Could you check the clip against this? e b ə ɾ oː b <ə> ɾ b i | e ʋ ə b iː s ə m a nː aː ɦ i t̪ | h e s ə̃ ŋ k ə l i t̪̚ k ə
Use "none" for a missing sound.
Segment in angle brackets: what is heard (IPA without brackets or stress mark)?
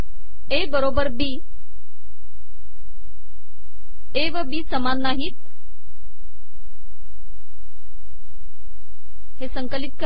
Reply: ə